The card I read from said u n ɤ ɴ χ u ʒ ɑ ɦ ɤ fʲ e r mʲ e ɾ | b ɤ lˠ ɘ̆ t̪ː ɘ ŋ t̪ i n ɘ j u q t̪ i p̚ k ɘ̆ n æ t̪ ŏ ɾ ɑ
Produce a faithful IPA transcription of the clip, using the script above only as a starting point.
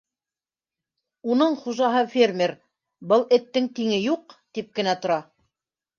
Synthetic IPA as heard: u n ɤ ɴ χ u ʒ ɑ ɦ ɤ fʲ e r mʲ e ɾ | b ɤ lˠ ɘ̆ t̪ː ɘ ŋ t̪ i ŋ ɘ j u q t̪ i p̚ k ɘ̆ n æ t̪ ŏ ɾ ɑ